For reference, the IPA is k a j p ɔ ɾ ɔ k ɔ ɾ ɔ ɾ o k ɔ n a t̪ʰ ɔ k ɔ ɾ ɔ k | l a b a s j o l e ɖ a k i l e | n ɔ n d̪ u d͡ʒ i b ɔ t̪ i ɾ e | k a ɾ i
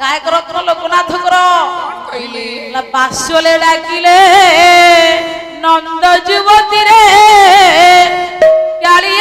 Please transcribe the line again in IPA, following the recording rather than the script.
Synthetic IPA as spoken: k a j k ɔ ɾ ɔ k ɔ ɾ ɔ l o k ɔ n a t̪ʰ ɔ k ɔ ɾ ɔ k | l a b a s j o l e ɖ a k i l e | n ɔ n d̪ ɔ d͡ʒ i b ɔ t̪ i ɾ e | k a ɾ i